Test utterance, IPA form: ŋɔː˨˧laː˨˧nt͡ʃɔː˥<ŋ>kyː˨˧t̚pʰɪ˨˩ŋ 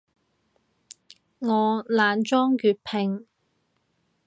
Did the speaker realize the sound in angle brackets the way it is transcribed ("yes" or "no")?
yes